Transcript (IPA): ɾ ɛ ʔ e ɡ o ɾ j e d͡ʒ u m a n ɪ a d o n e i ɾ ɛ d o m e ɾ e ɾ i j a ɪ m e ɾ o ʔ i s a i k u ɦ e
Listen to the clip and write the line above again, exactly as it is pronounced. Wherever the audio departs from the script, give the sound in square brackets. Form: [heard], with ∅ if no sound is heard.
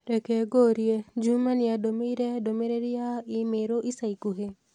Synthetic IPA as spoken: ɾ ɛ [k] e ɡ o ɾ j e d͡ʒ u m a n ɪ a d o [m] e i ɾ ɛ d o m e ɾ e ɾ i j a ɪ m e ɾ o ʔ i s a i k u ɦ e